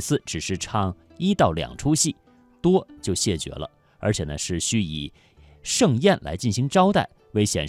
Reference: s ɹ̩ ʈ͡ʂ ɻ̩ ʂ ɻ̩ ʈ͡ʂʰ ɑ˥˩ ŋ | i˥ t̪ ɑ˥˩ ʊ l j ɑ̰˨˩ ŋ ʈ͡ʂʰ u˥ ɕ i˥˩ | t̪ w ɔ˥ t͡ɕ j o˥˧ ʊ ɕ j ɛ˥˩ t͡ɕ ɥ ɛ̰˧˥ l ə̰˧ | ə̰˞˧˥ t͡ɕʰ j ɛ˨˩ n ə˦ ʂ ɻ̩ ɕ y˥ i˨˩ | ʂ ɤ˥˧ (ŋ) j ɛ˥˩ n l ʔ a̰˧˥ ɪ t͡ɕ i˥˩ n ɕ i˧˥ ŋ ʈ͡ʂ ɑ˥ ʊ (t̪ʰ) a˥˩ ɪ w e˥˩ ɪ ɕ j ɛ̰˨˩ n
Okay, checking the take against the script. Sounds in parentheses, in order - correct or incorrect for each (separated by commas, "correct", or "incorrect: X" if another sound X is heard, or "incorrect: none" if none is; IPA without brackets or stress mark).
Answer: correct, incorrect: t̪